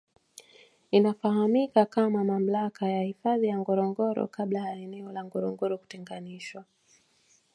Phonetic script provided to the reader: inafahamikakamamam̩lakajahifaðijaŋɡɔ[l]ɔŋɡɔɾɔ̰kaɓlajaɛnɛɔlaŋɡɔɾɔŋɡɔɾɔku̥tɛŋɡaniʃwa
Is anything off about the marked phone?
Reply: yes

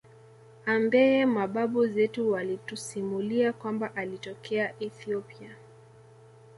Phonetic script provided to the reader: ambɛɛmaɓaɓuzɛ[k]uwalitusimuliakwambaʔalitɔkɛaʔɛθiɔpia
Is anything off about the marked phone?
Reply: yes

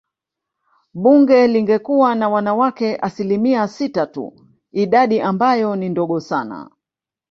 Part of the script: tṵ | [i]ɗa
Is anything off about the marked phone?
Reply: no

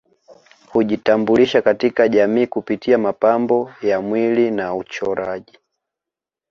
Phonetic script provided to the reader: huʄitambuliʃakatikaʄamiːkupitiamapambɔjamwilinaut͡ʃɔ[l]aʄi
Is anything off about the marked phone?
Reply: yes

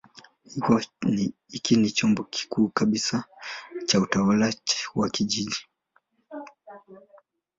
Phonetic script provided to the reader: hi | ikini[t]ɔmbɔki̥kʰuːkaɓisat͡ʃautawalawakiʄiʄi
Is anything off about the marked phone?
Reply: yes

